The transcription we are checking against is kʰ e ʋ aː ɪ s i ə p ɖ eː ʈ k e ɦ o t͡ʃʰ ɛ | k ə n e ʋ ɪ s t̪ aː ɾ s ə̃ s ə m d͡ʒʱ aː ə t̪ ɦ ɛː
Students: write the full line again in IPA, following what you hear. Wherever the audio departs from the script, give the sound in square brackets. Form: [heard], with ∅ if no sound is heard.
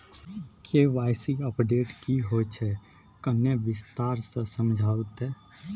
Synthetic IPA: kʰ e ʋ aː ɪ s i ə p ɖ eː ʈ k [i] ɦ o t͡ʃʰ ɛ | k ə n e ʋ ɪ s t̪ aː ɾ s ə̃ s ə m d͡ʒʱ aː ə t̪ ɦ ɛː